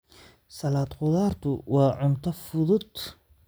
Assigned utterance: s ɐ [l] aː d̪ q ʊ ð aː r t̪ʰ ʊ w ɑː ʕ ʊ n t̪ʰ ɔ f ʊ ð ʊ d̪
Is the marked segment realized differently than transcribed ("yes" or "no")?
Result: no